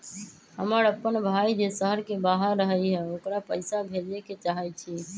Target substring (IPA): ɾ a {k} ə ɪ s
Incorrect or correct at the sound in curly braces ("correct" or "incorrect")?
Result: incorrect